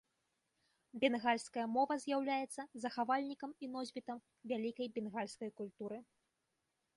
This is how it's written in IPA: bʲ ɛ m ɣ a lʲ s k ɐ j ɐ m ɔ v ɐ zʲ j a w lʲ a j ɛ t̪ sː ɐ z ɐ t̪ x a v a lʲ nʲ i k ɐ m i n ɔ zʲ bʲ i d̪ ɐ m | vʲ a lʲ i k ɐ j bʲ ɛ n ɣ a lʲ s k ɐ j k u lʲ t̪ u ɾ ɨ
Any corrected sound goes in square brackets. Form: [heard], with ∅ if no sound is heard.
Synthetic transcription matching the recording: bʲ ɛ [n] ɣ a lʲ s k ɐ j ɐ m ɔ v ɐ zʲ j a w lʲ a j ɛ t̪ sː ɐ z ɐ [∅] x a v a lʲ nʲ i k ɐ m i n ɔ zʲ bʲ i [t̪] ɐ m | vʲ a lʲ i k ɐ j bʲ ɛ n ɣ a lʲ s k ɐ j k u lʲ t̪ u ɾ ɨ